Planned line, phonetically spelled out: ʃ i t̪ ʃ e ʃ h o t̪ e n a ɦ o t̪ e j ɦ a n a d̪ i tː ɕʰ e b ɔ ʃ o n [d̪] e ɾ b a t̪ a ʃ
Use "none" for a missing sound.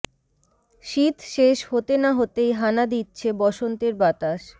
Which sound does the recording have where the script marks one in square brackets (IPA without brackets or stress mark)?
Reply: t̪